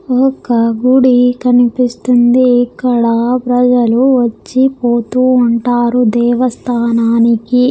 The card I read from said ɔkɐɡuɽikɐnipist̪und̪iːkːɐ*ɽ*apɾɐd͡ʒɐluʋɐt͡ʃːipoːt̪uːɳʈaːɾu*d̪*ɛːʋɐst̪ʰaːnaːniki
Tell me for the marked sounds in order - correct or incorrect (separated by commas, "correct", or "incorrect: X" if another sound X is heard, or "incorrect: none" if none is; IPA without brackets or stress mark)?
correct, correct